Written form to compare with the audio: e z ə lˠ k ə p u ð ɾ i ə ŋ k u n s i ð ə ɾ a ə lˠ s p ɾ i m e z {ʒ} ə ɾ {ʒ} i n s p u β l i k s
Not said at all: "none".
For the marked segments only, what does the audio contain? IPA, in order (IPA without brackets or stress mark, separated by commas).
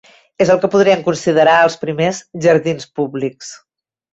ʒ, ð